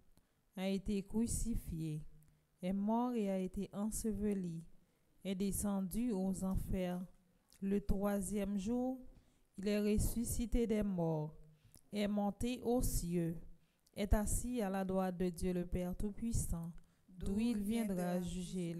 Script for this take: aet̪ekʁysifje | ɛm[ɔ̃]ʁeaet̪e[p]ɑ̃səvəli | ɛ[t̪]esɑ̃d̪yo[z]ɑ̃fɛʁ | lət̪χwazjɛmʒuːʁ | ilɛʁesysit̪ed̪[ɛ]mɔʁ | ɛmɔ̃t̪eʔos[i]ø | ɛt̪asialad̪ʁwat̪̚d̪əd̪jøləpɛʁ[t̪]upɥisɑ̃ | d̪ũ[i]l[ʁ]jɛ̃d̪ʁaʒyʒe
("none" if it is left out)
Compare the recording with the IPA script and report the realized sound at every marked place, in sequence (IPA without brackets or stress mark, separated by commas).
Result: ɔ, ʔ, d̪, z, ɛ, j, t̪, i, v